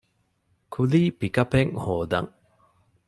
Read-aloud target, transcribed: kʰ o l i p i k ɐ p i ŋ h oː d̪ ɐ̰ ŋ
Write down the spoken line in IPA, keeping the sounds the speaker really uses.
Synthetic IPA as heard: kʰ u l iː p i k ɐ p e ŋ h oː d̪ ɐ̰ ŋ